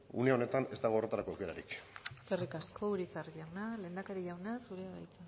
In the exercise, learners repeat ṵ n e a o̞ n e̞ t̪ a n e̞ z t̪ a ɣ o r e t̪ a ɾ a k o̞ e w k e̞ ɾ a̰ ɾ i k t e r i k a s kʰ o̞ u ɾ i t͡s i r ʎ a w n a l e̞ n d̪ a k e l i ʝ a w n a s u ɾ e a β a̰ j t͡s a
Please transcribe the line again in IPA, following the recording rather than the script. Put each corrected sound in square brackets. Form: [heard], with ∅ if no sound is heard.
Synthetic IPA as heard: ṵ n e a o̞ n e̞ t̪ a n e̞ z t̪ a ɣ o r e t̪ a ɾ a k o̞ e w k e̞ ɾ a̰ ɾ i k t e r i k a s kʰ o̞ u ɾ i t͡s [a] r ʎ a w n a l e̞ n d̪ a k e [ɾ] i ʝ a w n a s u ɾ e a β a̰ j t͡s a